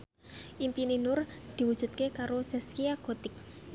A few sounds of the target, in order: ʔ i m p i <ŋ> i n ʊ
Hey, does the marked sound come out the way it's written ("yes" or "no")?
no